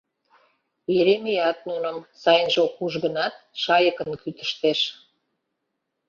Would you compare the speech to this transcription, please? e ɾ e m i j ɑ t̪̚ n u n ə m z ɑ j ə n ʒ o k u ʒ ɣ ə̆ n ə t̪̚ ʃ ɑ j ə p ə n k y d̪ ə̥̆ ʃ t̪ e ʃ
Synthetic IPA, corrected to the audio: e ɾ e m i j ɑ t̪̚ n u n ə m s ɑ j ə n ʒ o k u ʒ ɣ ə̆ n ɑ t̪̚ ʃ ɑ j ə k ə n k y t̪ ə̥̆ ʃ t̪ e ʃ